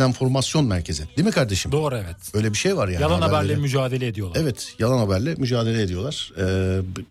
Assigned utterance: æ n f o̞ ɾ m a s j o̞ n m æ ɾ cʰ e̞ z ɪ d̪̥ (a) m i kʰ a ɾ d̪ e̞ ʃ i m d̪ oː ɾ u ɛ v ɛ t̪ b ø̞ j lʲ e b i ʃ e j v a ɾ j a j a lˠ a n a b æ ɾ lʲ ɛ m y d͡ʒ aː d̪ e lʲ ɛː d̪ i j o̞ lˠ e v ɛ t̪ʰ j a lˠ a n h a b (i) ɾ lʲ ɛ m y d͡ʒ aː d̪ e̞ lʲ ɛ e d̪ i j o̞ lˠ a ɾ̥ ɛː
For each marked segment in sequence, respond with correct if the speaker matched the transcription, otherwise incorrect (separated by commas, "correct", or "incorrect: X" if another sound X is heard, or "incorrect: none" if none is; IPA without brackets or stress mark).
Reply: incorrect: i, incorrect: æ